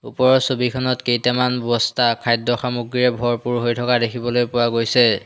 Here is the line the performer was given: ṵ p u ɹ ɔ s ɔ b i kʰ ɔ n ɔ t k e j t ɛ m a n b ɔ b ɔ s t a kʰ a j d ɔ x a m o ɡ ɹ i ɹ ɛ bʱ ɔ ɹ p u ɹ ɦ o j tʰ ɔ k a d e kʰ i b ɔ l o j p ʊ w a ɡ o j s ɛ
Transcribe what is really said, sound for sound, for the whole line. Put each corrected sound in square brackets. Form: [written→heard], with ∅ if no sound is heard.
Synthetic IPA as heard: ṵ p [u→ɔ] ɹ ɔ s [ɔ→o] b i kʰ ɔ n ɔ t k e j t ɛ m a n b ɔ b ɔ s t a kʰ a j d ɔ x a m [o→u] ɡ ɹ i ɹ ɛ bʱ ɔ ɹ p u ɹ ɦ o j tʰ ɔ k a d e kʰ i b ɔ l o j p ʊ w a ɡ o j s ɛ